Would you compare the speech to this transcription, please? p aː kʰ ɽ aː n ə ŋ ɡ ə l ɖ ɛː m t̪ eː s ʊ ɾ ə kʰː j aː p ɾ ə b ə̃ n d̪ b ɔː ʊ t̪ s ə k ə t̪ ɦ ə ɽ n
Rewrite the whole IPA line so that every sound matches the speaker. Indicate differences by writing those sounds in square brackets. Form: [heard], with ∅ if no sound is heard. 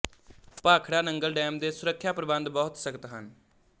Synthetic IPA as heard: p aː kʰ ɽ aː n ə ŋ ɡ ə l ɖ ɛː m [d̪] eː s ʊ ɾ ə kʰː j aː p ɾ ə b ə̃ n d̪ b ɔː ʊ t̪ s ə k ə t̪ ɦ ə [∅] n